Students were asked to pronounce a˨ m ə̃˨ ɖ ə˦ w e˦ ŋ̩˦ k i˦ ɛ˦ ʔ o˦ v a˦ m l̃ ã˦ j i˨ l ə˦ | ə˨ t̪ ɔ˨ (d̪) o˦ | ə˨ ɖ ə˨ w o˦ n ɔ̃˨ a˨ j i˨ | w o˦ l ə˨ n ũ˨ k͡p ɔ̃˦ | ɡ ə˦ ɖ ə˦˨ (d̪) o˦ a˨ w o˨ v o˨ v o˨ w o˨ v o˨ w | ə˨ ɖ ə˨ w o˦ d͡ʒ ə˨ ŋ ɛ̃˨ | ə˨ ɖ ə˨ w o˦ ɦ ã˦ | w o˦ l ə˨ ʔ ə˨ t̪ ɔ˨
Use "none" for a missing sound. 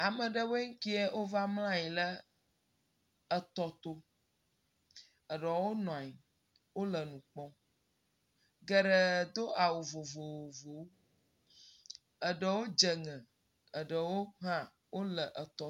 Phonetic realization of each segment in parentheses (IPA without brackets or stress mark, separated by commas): t̪, d̪